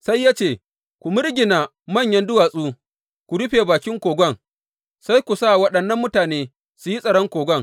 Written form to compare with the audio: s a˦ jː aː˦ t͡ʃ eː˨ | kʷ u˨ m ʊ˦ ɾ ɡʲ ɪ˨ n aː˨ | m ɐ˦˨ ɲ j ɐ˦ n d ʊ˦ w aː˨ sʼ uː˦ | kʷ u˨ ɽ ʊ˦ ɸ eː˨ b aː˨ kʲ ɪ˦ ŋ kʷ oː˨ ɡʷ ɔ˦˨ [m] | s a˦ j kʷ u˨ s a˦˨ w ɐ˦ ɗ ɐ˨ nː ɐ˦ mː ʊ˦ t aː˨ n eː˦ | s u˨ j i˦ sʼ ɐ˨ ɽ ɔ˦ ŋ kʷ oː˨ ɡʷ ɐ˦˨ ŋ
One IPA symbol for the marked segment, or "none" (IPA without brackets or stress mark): ŋ